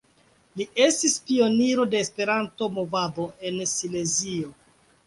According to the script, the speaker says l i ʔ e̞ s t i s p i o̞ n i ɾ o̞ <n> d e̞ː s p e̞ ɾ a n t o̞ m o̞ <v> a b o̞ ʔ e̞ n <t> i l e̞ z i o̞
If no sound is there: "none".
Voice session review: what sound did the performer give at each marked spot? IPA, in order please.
none, v, s

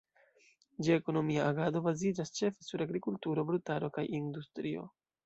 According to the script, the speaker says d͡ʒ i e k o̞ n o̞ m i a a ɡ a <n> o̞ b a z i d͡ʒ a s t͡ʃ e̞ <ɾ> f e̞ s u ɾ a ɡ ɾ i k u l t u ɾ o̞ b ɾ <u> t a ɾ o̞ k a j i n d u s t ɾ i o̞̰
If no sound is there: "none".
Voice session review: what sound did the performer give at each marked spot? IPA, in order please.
d, none, u

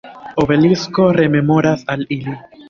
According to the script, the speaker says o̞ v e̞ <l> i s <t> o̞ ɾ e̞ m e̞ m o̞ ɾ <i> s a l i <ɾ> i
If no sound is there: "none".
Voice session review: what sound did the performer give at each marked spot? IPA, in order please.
l, k, a, l

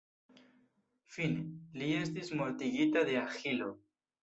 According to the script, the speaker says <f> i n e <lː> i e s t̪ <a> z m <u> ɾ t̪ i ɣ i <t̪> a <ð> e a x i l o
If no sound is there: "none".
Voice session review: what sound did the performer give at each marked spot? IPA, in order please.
f, l, i, o, t̪, ð

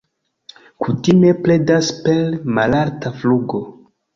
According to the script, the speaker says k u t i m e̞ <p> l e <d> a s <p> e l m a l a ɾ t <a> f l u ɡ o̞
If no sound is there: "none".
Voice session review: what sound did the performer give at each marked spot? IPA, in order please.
p, d, p, a

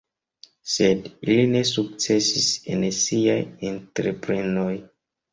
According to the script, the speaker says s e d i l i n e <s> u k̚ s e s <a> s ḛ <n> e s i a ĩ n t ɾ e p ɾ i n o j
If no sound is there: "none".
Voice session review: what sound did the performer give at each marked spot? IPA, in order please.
s, i, n

